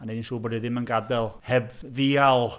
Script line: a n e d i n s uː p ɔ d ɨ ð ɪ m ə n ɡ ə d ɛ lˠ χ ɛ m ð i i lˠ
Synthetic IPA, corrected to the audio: a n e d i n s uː b ɔ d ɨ ð ɪ m ə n ɡ a d ɛ lˠ h ɛ b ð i a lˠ